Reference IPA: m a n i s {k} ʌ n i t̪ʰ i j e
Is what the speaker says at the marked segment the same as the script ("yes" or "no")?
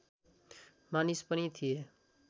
no